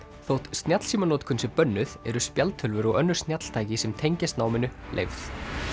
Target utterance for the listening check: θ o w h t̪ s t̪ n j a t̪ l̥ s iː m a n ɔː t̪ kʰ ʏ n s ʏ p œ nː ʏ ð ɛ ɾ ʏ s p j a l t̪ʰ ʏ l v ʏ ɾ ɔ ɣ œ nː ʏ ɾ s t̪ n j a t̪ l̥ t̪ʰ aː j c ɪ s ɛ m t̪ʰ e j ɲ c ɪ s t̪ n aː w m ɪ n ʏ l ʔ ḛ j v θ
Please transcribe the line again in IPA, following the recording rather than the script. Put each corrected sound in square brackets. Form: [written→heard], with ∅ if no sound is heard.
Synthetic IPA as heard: θ o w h t̪ s t̪ n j a t̪ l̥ s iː m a n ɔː t̪ kʰ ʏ n s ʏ p œ nː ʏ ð ɛ ɾ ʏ s p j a l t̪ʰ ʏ l v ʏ ɾ ɔ ɣ œ nː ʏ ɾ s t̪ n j a t̪ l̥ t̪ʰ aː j c ɪ s ɛ m t̪ʰ e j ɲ c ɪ s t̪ n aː w m ɪ n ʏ l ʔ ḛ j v θ

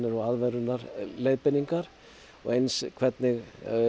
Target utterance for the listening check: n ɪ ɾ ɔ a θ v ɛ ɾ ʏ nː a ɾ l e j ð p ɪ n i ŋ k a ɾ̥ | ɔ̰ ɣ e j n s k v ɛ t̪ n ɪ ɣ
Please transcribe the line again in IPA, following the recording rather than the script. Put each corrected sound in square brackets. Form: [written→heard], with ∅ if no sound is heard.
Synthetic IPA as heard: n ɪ ɾ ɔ a [θ→ð] v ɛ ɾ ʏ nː a ɾ l e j ð p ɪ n i ŋ k a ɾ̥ | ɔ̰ ɣ e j n s [k→kʰ] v ɛ t̪ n ɪ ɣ

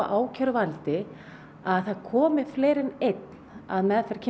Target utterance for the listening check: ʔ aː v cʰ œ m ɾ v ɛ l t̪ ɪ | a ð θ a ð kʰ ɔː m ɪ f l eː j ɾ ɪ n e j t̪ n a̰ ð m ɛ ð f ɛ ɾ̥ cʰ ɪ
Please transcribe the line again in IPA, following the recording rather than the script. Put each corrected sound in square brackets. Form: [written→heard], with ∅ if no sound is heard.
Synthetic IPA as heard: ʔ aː [v→w] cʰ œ [m→∅] ɾ v [ɛ→a] l t̪ ɪ | a ð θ a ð kʰ ɔː m ɪ f l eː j ɾ ɪ n e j t̪ n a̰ ð m ɛ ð f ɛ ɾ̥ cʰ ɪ

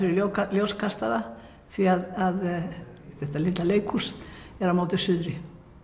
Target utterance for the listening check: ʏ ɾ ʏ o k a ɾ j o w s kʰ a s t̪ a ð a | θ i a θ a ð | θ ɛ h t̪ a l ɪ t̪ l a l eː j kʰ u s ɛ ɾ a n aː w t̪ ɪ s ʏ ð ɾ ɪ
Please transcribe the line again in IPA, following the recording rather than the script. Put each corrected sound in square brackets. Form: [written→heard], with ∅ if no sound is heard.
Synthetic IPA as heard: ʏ ɾ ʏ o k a [ɾ→l] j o w s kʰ a s t̪ a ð a | θ i a [θ→ð] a ð | θ ɛ h t̪ a l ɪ t̪ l a l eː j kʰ u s ɛ ɾ a [n→m] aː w t̪ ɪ s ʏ ð ɾ ɪ

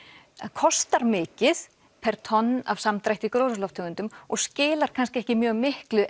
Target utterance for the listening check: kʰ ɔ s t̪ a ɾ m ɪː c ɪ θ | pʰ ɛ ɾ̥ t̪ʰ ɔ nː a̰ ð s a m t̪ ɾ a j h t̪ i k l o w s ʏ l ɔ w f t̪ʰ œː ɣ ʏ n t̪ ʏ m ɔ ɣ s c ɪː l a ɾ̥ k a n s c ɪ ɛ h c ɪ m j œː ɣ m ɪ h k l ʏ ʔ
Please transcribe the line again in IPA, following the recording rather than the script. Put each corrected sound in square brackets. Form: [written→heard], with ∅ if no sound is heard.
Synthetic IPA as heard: kʰ ɔ s t̪ a ɾ m ɪː c ɪ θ | pʰ ɛ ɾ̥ t̪ʰ ɔ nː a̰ [ð→v] s a m t̪ ɾ a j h t̪ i k [l→ɾ] o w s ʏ l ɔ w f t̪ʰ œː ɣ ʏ n t̪ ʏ m ɔ ɣ s c ɪː l a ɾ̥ [k→kʰ] a n s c ɪ ɛ h c ɪ m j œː ɣ m ɪ h k l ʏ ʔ

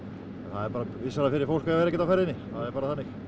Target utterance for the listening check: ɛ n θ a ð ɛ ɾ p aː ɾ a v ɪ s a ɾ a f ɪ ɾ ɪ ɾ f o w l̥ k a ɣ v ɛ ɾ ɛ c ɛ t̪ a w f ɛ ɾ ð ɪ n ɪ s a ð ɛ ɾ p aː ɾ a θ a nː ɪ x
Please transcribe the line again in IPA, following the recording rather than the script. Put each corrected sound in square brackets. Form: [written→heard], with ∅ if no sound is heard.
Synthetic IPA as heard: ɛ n θ a ð ɛ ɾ p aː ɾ a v ɪ s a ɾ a f ɪ ɾ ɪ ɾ f o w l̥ k a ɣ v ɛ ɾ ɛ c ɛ t̪ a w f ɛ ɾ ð ɪ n ɪ [s→θ] a ð ɛ ɾ p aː ɾ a θ a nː ɪ x

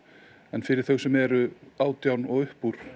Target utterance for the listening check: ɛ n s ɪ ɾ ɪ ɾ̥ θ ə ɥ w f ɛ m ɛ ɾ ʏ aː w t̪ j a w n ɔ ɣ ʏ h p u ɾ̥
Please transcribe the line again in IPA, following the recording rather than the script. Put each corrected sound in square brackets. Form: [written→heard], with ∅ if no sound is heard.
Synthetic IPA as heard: ɛ n [s→f] ɪ ɾ ɪ ɾ̥ θ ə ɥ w [f→s] ɛ m ɛ ɾ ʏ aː w t̪ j a w n ɔ ɣ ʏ h p u ɾ̥

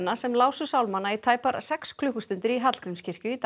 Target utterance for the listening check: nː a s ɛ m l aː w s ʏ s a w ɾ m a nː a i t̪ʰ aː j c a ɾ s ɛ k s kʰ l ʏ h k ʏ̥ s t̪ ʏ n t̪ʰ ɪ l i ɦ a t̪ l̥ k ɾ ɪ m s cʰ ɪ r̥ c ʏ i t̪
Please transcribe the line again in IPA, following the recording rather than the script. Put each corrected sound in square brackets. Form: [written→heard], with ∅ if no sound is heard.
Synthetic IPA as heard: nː a s ɛ m l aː w s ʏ s a w [ɾ→l] m a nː a i t̪ʰ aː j [c→p] a ɾ s ɛ k s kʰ l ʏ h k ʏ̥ s t̪ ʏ n [t̪ʰ→t̪] ɪ [l→ɾ] i ɦ a t̪ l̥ k ɾ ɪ m s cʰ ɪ r̥ c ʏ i t̪

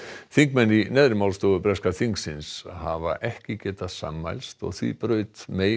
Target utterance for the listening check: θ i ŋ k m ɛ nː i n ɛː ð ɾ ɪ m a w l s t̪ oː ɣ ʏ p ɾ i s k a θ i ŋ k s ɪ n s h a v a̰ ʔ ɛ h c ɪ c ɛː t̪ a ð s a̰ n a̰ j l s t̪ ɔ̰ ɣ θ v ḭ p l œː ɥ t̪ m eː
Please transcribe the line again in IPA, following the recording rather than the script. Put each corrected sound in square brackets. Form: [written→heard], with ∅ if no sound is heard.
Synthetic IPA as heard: θ i ŋ k m ɛ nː i n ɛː ð ɾ ɪ m a w l s t̪ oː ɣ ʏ p ɾ [i→ɛ] s k a θ i ŋ k s ɪ n s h a v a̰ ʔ ɛ h c ɪ c ɛː t̪ a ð s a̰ [n→m] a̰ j l s t̪ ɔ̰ ɣ θ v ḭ p [l→ɾ] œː ɥ t̪ m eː

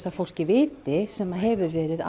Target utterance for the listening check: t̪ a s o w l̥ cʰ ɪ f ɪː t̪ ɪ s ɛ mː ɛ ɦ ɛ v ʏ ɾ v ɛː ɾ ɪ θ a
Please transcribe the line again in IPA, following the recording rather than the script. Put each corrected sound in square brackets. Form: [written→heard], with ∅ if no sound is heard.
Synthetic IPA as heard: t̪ a [s→f] o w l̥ [cʰ→c] ɪ [f→v] ɪː t̪ ɪ s ɛ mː [ɛ→a] ɦ ɛ v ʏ ɾ v ɛː ɾ ɪ [θ→ð] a

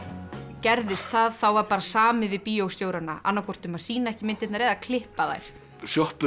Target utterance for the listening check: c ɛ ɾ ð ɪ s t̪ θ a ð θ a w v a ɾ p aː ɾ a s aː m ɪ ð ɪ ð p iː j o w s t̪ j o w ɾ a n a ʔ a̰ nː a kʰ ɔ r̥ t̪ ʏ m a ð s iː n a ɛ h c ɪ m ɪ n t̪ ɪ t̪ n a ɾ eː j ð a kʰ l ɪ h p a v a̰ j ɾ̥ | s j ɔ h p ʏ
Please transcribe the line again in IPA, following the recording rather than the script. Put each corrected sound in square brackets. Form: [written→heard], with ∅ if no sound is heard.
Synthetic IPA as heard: c ɛ ɾ ð ɪ s t̪ θ a ð θ a w v a ɾ p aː ɾ a s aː m ɪ [ð→v] ɪ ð p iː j o w s t̪ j o w ɾ a n a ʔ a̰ nː a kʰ ɔ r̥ t̪ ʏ m a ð s iː n a ɛ h c ɪ m ɪ n t̪ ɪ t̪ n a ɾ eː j ð a kʰ l ɪ h p a [v→ð] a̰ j ɾ̥ | s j ɔ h p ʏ

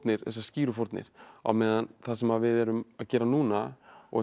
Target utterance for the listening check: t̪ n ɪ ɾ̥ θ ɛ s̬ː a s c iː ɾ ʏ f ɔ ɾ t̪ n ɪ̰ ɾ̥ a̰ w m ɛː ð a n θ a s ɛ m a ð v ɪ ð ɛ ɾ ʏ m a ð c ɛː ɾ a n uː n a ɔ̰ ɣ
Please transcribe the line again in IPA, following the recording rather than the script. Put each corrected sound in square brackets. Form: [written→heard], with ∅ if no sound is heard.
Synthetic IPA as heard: t̪ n ɪ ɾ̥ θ ɛ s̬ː a s c iː ɾ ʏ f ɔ ɾ t̪ n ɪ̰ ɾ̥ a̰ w m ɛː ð a n θ a s ɛ m a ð v ɪ ð ɛ ɾ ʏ m a ð c ɛː ɾ a n uː n a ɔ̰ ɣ

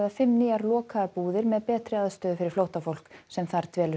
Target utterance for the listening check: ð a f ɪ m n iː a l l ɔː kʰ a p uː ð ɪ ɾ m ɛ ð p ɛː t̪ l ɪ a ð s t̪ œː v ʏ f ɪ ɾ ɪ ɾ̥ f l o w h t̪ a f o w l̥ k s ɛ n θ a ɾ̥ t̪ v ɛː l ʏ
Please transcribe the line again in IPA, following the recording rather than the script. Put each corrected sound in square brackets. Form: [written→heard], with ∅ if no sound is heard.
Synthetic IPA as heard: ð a f ɪ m n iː a [l→ɾ] l ɔː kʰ a p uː ð ɪ ɾ m ɛ ð p ɛː t̪ [l→ɾ] ɪ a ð s t̪ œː [v→ð] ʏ f ɪ ɾ ɪ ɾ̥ f l o w h t̪ a f o w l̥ k s ɛ [n→m] θ a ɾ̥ t̪ v ɛː l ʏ

